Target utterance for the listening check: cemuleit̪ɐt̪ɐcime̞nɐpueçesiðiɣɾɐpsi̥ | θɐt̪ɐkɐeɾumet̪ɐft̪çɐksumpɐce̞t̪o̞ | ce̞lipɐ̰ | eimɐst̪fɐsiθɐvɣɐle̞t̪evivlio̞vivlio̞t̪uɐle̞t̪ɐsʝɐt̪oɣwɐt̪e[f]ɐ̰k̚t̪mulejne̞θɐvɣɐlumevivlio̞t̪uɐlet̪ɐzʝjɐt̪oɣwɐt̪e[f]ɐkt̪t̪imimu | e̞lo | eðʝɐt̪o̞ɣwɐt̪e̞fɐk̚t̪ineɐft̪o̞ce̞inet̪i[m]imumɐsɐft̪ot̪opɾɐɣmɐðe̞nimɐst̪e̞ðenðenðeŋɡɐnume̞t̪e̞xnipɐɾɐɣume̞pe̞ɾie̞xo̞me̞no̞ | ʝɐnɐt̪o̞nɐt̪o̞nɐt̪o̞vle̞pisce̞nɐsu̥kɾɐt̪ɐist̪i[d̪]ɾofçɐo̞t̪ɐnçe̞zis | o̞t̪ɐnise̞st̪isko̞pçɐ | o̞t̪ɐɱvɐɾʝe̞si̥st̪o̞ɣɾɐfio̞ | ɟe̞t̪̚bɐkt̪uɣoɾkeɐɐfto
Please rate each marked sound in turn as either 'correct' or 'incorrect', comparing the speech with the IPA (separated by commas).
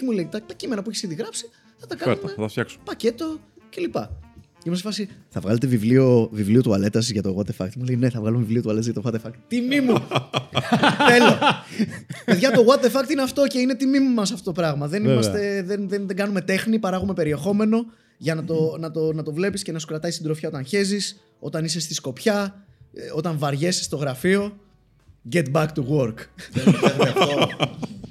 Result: correct, correct, correct, correct